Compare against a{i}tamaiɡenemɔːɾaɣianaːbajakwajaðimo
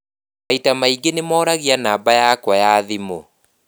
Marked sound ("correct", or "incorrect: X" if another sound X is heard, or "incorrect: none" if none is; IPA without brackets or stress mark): correct